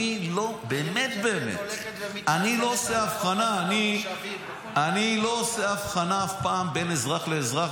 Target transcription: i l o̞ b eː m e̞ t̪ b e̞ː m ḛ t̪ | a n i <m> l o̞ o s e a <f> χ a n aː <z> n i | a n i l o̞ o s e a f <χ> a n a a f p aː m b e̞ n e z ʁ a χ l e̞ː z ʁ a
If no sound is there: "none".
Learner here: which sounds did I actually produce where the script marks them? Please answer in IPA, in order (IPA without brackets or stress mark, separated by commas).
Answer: none, f, none, χ